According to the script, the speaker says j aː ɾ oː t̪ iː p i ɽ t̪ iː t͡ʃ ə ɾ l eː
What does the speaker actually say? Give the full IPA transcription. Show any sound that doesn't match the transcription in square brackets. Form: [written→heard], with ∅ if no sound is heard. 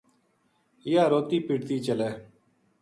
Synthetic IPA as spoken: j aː ɾ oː t̪ iː p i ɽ t̪ iː t͡ʃ ə [ɾ→∅] l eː